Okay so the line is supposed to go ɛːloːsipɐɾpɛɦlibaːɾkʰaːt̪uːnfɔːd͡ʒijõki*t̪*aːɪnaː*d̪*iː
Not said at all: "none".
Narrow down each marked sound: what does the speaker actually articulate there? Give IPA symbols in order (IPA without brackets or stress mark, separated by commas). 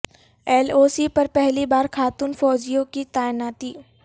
t̪, t̪